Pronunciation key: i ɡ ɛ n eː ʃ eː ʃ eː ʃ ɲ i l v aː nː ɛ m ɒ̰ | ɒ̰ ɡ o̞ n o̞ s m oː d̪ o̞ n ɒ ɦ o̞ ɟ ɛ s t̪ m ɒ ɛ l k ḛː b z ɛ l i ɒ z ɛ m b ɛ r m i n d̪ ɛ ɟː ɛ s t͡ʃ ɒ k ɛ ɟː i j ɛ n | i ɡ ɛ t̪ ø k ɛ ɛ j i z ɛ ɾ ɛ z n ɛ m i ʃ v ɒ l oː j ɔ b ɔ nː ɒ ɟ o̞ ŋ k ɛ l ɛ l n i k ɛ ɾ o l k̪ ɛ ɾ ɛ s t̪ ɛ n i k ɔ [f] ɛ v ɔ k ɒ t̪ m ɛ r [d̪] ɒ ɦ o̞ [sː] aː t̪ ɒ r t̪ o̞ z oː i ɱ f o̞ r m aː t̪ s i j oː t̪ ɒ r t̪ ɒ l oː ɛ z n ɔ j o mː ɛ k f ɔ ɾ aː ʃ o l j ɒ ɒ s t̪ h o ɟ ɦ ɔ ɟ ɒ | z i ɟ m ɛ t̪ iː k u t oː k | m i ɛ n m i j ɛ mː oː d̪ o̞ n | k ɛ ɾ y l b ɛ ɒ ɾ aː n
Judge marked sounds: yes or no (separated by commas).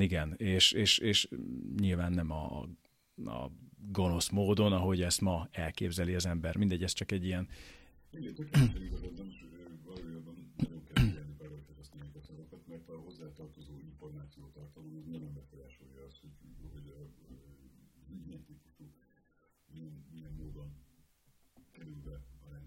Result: no, no, no